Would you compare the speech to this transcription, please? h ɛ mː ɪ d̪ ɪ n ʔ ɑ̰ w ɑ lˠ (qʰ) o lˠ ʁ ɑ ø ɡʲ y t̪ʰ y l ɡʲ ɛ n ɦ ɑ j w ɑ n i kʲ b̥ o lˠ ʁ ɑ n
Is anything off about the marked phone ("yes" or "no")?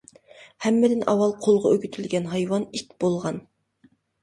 no